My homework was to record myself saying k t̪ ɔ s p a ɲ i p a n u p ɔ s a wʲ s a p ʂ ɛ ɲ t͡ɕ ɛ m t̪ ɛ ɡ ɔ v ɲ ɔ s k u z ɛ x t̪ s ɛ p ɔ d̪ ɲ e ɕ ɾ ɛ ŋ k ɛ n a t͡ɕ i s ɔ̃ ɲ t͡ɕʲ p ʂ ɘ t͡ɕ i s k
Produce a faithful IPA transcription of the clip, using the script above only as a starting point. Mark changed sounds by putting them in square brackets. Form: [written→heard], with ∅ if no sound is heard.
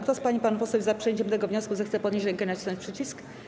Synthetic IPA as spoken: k t̪ ɔ s p a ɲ i p a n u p ɔ s [a→ɛ] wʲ [s→z] a p ʂ ɛ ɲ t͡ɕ ɛ m t̪ ɛ ɡ ɔ v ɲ ɔ s k u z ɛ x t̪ s ɛ p ɔ d̪ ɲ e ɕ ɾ ɛ ŋ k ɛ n a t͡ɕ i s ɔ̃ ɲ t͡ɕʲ p ʂ ɘ t͡ɕ i s k